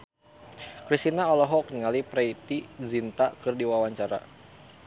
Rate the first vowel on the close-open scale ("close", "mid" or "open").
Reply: close